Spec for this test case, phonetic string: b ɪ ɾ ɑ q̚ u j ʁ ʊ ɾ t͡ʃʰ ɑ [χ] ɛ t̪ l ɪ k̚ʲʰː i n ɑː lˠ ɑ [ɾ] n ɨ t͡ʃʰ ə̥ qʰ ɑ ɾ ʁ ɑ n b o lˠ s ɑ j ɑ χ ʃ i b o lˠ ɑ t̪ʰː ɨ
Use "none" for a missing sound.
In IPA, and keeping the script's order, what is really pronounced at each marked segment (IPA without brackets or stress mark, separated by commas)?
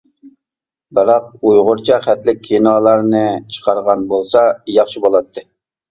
χ, ɾ